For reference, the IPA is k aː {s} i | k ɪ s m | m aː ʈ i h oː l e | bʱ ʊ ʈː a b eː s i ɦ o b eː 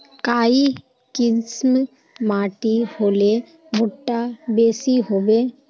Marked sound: incorrect: none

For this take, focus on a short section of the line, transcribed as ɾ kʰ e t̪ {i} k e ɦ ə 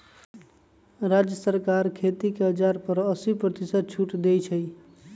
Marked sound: correct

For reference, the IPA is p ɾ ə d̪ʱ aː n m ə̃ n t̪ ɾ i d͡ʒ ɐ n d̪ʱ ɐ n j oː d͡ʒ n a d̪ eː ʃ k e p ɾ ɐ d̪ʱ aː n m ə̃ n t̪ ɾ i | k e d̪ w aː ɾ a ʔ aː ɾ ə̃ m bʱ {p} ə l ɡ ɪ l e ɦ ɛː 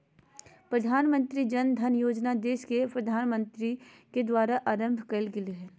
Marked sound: incorrect: k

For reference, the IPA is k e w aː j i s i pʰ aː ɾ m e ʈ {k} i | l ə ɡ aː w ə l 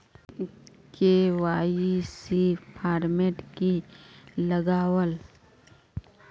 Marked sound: correct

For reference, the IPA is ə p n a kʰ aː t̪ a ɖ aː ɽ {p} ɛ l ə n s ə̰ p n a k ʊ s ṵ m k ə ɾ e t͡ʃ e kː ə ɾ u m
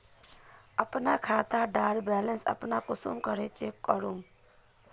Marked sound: incorrect: b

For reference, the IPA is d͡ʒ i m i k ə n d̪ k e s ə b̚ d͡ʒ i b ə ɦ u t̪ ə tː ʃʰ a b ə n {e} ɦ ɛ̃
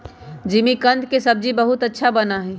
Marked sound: incorrect: a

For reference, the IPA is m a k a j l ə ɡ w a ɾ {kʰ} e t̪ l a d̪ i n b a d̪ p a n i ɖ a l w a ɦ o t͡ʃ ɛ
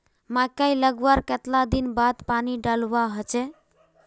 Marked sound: incorrect: k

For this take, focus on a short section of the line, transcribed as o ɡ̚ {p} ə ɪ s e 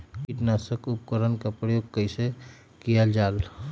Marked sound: incorrect: k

